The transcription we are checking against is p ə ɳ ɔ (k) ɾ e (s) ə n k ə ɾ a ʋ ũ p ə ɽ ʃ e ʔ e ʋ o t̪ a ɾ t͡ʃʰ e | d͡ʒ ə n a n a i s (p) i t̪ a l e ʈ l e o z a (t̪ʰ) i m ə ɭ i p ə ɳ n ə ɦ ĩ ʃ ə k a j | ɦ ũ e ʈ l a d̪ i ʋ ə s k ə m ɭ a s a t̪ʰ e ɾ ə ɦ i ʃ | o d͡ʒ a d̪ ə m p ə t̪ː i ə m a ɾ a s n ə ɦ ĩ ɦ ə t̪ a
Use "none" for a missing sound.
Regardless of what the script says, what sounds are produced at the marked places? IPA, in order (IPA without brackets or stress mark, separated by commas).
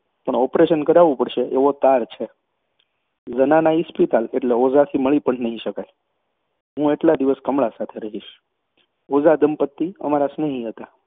p, ʃ, p, t̪ʰ